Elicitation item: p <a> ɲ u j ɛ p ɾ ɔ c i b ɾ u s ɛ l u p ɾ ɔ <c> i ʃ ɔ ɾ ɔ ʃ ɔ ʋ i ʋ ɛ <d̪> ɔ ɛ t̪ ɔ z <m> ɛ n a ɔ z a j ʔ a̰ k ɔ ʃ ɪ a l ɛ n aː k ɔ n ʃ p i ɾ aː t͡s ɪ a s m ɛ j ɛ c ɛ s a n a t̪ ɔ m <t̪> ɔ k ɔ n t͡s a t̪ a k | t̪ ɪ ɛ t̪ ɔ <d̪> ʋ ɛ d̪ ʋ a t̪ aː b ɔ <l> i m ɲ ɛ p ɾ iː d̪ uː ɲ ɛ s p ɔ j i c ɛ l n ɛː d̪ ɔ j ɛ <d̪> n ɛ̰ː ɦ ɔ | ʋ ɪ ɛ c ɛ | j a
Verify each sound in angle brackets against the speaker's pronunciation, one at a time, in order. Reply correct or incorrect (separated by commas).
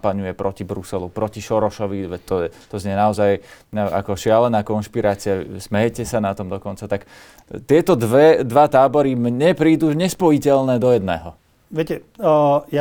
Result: correct, correct, incorrect, incorrect, incorrect, correct, incorrect, correct